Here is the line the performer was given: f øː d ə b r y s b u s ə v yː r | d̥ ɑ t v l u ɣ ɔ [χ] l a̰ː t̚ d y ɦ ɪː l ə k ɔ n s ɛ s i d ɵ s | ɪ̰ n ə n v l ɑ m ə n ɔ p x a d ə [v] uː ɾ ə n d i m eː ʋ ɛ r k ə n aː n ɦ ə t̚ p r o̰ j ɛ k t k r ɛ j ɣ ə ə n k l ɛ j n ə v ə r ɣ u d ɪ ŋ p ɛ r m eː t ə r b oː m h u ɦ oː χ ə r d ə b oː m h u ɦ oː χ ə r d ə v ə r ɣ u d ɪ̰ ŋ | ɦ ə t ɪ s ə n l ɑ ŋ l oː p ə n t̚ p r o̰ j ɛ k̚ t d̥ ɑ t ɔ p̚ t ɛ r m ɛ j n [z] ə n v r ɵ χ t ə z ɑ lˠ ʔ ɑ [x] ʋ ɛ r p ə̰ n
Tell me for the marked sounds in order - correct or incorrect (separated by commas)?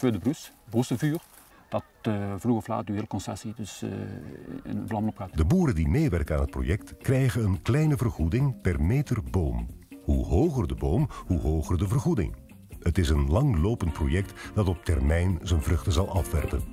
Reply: incorrect, incorrect, correct, incorrect